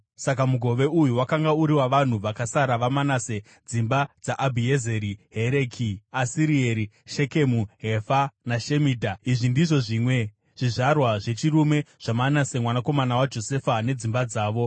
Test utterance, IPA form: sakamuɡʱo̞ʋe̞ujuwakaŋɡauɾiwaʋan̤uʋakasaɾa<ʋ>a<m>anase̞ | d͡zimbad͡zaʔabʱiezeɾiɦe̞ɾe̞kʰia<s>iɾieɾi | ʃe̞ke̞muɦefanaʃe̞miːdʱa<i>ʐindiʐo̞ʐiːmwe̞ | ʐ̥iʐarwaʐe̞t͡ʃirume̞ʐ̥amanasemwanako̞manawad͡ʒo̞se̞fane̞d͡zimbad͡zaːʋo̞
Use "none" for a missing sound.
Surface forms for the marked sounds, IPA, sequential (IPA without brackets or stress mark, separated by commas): ʋ, m, s, i